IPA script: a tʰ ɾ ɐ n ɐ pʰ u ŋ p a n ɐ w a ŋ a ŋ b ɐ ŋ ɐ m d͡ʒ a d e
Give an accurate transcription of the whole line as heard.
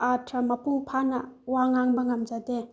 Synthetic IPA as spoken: a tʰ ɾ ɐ m ɐ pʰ u ŋ pʰ a n ɐ w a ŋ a ŋ b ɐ ŋ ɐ m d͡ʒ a d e